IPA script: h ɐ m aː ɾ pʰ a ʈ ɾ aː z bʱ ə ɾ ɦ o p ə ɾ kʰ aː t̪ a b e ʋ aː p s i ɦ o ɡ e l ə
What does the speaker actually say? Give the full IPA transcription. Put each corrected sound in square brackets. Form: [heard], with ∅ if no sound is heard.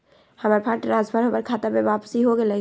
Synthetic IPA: h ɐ m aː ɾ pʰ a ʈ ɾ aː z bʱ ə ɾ ɦ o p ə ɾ kʰ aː t̪ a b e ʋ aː p s i ɦ o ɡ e l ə